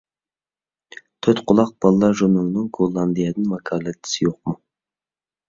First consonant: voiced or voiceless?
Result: voiceless